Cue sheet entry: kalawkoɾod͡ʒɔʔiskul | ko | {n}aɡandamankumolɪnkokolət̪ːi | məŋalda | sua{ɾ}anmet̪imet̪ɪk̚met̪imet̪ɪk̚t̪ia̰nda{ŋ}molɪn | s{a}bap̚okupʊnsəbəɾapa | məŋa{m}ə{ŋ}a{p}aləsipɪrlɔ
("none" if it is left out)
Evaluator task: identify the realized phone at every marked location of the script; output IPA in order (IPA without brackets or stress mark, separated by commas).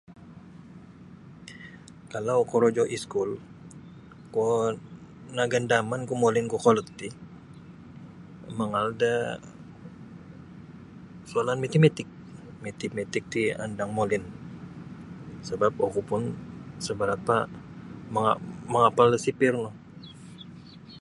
n, l, ŋ, ə, m, ŋ, p